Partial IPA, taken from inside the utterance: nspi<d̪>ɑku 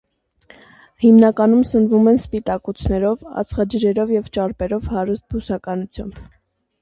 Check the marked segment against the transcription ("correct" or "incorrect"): incorrect